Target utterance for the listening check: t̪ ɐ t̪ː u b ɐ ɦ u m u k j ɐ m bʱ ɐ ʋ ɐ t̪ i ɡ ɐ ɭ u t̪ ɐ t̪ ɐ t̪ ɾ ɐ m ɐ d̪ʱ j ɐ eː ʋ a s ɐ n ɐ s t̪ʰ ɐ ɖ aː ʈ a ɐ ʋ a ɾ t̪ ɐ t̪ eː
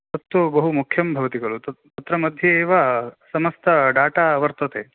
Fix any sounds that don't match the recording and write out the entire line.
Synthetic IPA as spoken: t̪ ɐ t̪ː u b ɐ ɦ u m u kʰ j ɐ m bʱ ɐ ʋ ɐ t̪ i ɡ ɐ ɭ u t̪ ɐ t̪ ɐ t̪ ɾ ɐ m ɐ d̪ʱ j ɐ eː ʋ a s ɐ m ɐ s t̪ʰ ɐ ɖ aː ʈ a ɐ ʋ ɐ ɾ t̪ ɐ t̪ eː